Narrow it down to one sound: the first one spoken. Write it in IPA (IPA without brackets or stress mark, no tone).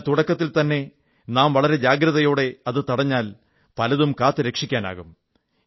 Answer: t̪